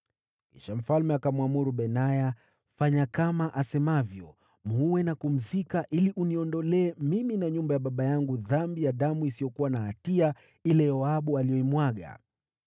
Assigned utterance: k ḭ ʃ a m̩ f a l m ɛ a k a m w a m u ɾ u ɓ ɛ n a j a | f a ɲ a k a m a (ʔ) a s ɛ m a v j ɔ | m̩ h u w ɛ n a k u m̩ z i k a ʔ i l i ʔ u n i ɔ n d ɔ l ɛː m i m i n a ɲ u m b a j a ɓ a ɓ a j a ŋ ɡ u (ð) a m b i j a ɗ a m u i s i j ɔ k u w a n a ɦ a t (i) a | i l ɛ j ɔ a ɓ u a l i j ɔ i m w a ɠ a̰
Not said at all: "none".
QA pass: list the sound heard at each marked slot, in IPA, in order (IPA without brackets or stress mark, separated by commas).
ʔ, ð, i